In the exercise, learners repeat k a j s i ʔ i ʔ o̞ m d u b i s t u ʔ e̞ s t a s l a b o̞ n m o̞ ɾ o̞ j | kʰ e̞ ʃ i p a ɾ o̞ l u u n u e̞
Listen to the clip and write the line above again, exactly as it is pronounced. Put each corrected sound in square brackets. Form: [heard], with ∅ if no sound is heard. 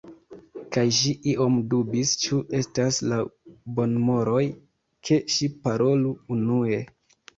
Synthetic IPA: k a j [ʃ] i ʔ i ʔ o̞ m d u b i s [t͡ʃ] u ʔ e̞ s t a s l a b o̞ n m o̞ ɾ o̞ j | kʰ e̞ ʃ i p a ɾ o̞ l u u n u e̞